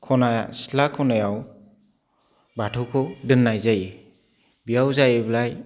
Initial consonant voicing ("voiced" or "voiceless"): voiceless